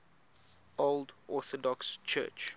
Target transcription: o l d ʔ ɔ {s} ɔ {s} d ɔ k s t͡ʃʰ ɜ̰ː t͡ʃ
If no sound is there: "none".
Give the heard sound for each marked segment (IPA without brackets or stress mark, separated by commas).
θ, none